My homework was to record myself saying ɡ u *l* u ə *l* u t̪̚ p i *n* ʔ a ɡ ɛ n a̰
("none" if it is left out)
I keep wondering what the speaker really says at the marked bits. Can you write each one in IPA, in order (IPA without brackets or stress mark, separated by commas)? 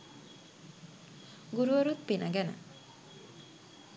ɾ, ɾ, n